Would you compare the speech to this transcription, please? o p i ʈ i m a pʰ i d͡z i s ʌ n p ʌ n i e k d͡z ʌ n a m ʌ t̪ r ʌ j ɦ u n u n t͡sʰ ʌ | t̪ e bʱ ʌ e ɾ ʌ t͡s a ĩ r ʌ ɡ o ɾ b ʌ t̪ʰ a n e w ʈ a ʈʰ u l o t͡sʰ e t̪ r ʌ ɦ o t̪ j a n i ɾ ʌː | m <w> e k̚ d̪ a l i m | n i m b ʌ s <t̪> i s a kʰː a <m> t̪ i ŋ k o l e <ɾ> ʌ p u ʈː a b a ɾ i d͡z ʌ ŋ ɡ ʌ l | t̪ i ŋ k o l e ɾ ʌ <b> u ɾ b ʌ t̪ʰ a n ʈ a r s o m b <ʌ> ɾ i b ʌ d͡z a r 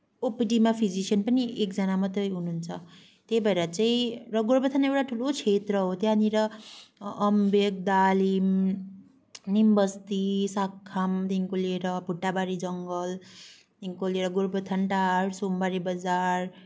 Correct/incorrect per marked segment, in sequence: incorrect: b, correct, correct, correct, incorrect: ɡ, incorrect: a

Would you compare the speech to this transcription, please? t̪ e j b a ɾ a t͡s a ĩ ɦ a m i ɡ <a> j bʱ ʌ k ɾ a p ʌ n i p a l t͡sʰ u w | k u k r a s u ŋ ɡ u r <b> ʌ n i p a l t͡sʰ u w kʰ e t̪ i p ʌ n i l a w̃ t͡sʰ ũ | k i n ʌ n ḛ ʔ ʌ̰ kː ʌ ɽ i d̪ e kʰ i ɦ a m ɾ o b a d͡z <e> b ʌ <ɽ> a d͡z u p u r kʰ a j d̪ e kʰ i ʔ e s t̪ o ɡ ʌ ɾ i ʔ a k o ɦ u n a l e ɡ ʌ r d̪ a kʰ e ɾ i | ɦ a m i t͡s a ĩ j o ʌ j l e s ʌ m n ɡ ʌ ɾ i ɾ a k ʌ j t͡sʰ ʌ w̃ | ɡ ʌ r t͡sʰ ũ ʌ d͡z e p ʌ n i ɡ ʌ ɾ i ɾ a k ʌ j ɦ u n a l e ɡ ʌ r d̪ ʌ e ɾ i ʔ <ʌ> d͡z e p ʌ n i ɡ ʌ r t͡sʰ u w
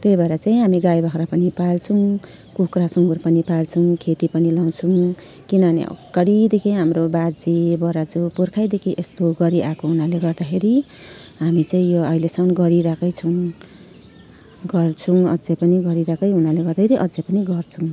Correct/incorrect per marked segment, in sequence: correct, incorrect: p, incorrect: i, incorrect: ɾ, correct

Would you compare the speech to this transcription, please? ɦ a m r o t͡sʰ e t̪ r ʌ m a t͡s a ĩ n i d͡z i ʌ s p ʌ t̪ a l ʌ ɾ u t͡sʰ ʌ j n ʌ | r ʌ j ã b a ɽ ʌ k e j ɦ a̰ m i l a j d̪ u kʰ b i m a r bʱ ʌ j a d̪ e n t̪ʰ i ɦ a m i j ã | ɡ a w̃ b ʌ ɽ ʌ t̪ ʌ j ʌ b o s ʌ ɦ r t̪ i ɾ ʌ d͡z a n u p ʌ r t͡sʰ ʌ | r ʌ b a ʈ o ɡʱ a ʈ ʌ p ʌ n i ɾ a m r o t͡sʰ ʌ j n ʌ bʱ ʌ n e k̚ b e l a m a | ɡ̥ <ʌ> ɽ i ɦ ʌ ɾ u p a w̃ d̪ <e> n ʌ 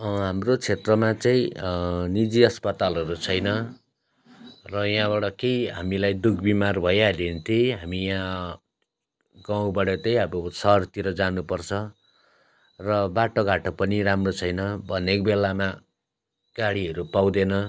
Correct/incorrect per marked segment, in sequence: incorrect: a, correct

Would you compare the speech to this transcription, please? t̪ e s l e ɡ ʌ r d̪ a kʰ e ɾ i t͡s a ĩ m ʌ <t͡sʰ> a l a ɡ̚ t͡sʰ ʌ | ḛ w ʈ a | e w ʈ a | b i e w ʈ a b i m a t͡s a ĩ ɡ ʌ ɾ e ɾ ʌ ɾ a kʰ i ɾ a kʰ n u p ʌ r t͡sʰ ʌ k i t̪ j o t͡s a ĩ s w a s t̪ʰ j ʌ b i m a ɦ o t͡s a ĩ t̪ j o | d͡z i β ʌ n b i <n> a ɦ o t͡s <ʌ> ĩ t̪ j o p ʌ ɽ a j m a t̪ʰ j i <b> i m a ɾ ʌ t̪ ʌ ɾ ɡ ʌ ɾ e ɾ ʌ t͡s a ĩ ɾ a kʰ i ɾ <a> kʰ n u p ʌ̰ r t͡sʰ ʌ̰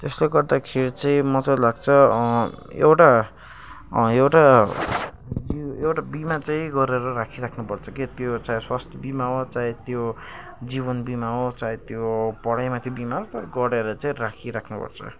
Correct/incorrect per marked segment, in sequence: incorrect: t͡s, incorrect: m, incorrect: a, correct, correct

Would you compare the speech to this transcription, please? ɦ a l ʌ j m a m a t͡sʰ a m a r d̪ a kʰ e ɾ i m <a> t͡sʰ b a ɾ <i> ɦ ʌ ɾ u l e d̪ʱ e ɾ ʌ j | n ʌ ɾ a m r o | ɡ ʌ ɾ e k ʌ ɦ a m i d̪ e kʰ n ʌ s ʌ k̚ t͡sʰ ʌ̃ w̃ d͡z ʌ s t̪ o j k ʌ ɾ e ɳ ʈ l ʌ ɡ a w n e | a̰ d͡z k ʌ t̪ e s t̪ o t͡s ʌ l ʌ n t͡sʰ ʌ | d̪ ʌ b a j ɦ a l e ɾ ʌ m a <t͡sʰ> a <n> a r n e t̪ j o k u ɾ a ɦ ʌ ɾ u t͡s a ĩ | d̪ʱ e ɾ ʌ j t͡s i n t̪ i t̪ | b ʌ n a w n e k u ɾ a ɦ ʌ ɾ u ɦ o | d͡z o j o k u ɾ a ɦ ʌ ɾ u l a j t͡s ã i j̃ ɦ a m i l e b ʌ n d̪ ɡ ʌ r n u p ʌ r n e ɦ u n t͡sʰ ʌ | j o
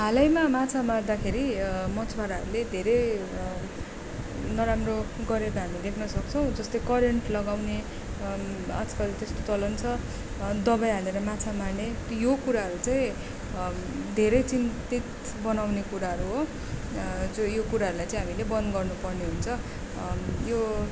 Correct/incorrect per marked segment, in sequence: incorrect: ʌ, incorrect: a, correct, incorrect: m

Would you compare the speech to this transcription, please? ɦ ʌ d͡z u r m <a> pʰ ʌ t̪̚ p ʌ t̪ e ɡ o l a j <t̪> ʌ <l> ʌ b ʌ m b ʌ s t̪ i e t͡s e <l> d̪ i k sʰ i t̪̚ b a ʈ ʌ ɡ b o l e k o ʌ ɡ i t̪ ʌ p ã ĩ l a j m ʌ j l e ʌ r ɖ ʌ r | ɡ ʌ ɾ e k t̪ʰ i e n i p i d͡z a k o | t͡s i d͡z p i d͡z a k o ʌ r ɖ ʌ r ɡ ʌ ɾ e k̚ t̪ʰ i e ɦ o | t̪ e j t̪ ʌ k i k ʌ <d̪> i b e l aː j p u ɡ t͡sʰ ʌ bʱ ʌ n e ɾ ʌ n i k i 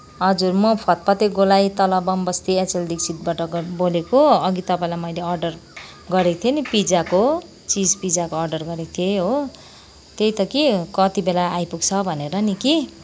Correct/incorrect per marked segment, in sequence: incorrect: ʌ, correct, correct, correct, incorrect: t̪

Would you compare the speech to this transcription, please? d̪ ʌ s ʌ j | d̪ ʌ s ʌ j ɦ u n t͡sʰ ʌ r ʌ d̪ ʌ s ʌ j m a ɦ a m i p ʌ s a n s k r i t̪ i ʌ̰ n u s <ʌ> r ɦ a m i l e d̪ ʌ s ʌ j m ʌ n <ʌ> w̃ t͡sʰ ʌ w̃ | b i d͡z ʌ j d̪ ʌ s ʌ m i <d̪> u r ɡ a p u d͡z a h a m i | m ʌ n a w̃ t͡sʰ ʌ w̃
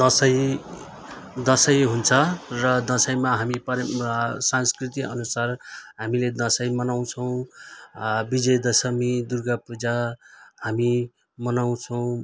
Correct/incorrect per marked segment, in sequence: incorrect: a, incorrect: a, correct

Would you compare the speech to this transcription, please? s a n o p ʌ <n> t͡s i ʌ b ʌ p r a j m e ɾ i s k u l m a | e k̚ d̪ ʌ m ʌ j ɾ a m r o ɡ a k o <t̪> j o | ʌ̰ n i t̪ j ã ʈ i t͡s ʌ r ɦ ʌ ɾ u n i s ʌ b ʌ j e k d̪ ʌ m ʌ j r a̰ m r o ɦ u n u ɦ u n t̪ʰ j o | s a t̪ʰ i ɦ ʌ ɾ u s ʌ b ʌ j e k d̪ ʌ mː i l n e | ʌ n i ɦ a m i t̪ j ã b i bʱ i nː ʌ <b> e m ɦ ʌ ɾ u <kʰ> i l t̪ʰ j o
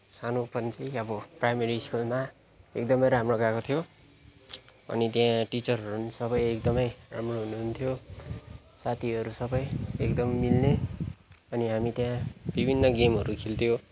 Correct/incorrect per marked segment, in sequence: correct, incorrect: t̪ʰ, incorrect: ɡ, correct

